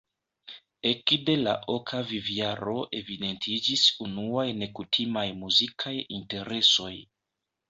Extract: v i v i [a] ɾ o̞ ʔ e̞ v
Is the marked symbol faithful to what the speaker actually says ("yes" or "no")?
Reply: yes